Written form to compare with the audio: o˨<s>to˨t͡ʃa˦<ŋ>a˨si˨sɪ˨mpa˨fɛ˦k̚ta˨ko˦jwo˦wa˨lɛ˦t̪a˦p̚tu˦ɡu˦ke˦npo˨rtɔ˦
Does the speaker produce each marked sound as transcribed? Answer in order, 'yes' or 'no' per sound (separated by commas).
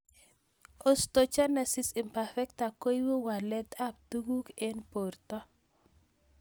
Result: yes, no